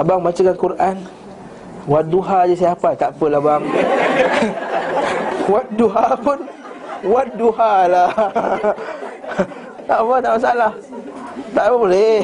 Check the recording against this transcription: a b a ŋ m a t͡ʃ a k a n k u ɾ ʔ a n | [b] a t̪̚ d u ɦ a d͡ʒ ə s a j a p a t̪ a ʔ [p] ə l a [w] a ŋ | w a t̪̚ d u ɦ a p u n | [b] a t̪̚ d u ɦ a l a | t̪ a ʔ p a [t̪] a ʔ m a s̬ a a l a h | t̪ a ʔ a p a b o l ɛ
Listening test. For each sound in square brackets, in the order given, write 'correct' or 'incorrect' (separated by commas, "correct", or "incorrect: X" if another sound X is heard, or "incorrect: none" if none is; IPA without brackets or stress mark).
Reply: incorrect: w, correct, incorrect: b, incorrect: w, correct